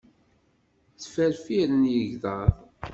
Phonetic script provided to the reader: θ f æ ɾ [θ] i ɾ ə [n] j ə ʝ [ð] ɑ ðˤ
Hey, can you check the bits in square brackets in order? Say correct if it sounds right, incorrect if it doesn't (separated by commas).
incorrect, correct, correct